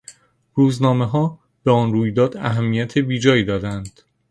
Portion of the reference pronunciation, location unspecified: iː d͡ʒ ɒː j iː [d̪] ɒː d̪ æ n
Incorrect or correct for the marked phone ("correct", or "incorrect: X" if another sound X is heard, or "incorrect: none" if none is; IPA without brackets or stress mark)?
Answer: correct